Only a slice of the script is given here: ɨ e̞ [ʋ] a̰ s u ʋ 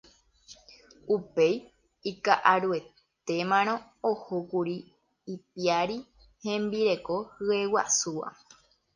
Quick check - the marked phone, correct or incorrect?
incorrect: w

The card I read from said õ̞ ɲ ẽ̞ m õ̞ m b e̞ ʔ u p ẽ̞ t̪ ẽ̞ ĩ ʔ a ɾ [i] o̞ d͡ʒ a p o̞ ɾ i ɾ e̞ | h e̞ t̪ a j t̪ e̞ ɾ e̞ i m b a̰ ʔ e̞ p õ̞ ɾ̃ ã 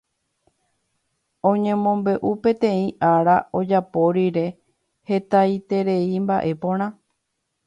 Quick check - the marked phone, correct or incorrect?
incorrect: a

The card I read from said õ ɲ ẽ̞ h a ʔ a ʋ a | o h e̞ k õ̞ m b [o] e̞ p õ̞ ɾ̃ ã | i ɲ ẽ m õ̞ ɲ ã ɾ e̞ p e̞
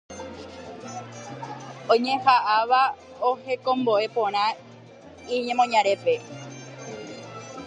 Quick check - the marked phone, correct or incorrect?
correct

